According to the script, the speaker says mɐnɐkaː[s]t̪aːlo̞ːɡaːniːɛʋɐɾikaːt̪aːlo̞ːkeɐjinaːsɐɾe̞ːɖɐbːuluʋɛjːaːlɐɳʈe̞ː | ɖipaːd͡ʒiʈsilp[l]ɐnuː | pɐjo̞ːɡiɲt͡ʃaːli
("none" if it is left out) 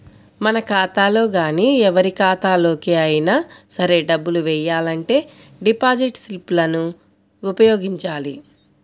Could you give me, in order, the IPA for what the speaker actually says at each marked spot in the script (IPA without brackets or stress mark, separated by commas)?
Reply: none, l